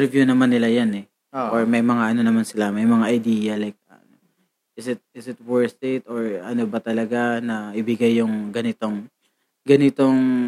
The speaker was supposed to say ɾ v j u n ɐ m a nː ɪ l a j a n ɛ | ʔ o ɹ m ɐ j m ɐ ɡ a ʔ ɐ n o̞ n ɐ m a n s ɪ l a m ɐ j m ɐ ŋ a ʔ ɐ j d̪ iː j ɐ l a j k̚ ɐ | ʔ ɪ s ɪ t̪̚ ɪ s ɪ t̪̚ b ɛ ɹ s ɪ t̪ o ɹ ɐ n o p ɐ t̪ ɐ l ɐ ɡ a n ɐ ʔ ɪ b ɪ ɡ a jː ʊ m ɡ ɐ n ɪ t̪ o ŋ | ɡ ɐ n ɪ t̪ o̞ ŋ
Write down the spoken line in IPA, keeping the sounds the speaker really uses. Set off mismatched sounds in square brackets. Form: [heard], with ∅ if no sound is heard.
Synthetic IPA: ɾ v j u n ɐ m a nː ɪ l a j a n ɛ | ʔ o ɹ m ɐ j m ɐ [ŋ] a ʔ ɐ n o̞ n ɐ m a n s ɪ l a m ɐ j m ɐ ŋ a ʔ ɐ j d̪ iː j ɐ l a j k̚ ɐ | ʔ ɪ s ɪ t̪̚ ɪ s ɪ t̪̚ [w] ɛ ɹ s ɪ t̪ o ɹ ɐ n o [b] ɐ t̪ ɐ l ɐ ɡ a n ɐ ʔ ɪ b ɪ ɡ a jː ʊ [ŋ] ɡ ɐ n ɪ t̪ o ŋ | ɡ ɐ n ɪ t̪ o̞ ŋ